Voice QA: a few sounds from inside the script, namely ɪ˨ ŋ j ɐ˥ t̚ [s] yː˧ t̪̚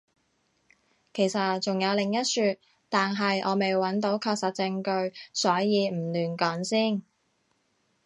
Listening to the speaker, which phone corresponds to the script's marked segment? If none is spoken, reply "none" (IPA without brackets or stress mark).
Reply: s